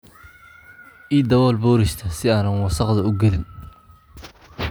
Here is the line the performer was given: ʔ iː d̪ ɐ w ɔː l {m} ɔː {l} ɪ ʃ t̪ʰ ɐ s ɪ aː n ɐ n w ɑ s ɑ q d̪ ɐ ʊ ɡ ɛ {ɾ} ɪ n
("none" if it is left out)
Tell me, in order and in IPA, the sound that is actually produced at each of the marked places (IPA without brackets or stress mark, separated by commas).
b, ɾ, l